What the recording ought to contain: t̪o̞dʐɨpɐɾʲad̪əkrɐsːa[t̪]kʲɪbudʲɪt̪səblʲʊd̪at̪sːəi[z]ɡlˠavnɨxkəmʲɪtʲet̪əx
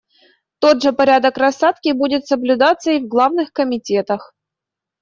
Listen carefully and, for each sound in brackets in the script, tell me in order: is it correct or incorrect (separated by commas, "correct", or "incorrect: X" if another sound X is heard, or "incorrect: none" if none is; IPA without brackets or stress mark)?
correct, incorrect: v